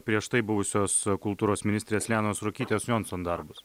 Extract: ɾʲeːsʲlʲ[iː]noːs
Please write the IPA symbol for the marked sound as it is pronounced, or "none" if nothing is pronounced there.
æː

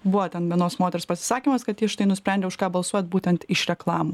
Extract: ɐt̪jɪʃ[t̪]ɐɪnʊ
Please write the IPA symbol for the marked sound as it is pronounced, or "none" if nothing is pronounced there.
t̪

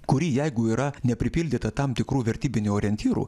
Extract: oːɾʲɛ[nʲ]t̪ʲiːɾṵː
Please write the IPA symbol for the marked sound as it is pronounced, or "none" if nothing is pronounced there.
nʲ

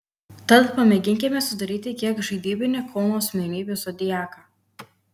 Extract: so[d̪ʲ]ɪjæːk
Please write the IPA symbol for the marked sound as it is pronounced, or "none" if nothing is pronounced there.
d̪ʲ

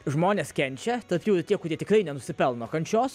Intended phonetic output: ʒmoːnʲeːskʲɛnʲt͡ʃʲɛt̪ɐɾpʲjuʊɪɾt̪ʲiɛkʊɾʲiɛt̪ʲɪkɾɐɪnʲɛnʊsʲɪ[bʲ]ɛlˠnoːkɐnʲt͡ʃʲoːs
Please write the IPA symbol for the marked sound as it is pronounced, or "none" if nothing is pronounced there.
pʲ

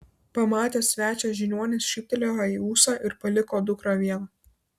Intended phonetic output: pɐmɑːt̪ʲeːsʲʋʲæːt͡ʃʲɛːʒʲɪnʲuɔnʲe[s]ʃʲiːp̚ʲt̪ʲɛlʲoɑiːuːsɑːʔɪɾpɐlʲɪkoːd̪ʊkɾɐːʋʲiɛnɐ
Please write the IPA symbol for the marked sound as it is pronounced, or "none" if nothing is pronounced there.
s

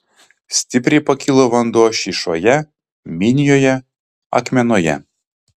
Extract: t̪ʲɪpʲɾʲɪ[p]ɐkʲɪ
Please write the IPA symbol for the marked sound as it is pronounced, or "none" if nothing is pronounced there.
p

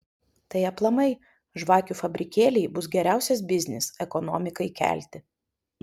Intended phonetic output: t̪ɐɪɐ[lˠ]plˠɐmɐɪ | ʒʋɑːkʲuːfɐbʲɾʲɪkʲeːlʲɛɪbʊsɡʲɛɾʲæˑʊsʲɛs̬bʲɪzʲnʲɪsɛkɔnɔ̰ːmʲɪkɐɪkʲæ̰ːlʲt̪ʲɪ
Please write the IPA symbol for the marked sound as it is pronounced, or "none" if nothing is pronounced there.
none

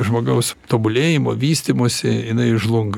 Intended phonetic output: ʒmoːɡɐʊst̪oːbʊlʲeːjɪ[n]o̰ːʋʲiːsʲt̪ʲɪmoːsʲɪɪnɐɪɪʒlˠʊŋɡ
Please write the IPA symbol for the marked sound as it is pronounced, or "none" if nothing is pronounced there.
m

